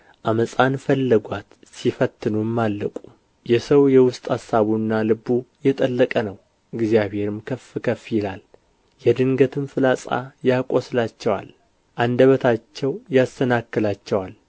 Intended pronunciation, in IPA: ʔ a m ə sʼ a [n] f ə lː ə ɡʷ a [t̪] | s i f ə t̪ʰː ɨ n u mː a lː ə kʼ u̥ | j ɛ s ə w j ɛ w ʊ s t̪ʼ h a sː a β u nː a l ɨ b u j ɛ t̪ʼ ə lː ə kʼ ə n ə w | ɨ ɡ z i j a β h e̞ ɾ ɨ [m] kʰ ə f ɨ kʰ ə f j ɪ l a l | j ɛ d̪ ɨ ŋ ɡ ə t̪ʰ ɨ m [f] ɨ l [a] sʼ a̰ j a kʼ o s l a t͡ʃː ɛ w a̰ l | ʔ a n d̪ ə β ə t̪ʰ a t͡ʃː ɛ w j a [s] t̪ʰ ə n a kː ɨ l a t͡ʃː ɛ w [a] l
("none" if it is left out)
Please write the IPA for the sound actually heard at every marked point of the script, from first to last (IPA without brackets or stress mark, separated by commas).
n, t̪, m, f, a, s, a